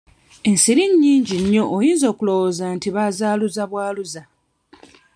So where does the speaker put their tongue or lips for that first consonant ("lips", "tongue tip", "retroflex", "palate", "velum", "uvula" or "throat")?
tongue tip